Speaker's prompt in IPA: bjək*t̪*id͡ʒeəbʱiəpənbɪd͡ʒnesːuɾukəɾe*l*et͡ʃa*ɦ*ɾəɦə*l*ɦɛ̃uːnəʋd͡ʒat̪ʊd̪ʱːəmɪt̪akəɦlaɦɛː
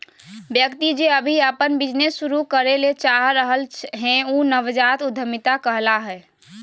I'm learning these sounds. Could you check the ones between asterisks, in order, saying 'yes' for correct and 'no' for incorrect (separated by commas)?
yes, yes, yes, yes